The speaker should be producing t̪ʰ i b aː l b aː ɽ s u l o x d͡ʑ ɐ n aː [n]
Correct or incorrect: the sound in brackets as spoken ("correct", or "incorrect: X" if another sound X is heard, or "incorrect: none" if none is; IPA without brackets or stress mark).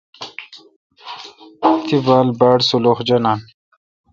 correct